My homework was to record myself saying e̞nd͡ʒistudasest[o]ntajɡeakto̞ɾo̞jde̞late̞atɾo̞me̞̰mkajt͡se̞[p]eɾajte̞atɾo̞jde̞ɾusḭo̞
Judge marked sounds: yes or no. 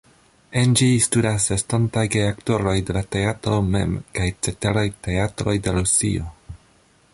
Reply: yes, no

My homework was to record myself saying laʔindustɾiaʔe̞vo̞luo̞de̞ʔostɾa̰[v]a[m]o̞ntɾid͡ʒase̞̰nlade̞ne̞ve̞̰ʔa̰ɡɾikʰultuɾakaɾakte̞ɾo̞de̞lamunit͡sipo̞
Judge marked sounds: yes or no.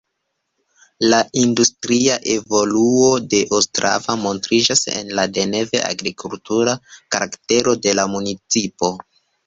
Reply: yes, yes

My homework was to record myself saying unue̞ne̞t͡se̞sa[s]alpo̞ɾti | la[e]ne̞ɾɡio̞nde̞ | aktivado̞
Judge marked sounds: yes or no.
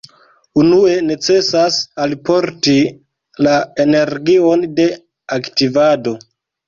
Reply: yes, yes

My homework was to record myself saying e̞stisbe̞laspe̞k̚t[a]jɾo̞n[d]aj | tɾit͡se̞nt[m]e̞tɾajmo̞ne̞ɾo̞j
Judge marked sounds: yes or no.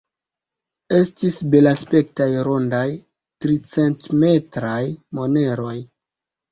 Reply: yes, yes, yes

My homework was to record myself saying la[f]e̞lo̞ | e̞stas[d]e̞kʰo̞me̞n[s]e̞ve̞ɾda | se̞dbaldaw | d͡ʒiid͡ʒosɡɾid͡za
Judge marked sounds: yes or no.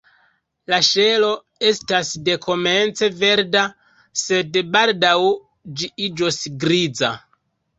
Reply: no, yes, no

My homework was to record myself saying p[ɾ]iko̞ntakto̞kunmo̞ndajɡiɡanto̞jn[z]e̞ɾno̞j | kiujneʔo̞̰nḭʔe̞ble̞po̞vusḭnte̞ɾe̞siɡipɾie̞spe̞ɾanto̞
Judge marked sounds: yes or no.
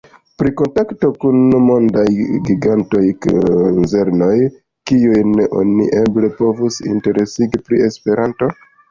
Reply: yes, yes

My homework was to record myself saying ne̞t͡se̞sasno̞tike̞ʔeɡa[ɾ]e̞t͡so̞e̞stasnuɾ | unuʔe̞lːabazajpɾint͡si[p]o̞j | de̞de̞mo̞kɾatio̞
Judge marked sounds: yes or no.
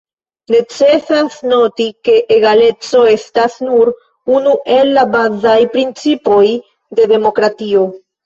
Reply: no, yes

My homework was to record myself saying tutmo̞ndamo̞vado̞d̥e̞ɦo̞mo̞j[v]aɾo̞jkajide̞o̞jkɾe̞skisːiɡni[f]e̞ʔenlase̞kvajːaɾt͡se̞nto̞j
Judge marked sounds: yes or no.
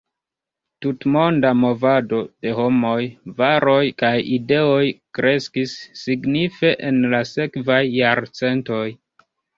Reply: yes, yes

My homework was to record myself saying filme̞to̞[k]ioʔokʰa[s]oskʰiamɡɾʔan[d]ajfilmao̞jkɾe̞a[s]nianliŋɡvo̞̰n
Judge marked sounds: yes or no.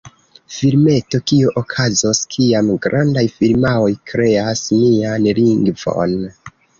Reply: yes, no, yes, yes

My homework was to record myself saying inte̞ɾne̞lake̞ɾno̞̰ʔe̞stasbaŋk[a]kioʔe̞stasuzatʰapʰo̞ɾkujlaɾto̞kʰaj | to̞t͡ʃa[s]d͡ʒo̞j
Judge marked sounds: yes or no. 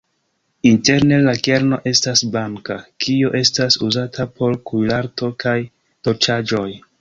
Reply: yes, no

